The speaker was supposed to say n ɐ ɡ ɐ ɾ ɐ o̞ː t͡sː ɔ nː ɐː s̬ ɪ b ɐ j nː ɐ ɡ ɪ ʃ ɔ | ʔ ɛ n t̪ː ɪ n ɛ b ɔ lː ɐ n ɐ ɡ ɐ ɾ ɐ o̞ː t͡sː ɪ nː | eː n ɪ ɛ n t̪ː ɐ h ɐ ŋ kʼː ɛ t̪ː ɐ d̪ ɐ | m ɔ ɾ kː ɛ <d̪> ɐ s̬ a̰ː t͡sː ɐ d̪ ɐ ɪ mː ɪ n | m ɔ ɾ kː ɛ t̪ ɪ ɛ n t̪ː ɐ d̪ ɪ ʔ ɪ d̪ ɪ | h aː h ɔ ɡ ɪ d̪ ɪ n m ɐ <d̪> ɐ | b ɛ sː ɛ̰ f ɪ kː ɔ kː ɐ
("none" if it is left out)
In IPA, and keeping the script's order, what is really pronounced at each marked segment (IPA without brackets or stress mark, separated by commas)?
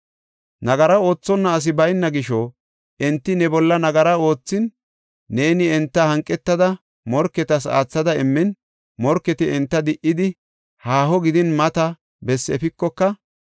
t̪, t̪